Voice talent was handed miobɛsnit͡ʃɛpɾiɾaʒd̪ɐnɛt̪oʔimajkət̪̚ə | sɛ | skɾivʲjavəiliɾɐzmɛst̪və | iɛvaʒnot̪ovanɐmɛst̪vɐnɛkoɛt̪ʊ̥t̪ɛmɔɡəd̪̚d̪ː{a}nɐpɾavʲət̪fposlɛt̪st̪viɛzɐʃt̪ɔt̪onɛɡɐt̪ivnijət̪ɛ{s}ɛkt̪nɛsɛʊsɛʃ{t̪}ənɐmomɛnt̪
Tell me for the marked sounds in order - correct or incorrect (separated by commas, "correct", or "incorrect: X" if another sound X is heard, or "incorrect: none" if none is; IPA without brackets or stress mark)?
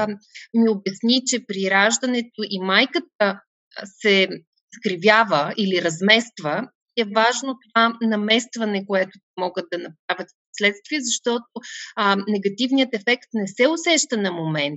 incorrect: ɐ, incorrect: f, correct